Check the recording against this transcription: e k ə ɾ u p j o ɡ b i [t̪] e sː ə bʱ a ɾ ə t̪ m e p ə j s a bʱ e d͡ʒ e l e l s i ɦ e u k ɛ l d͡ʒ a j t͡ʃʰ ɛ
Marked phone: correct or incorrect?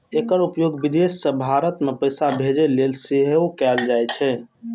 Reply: incorrect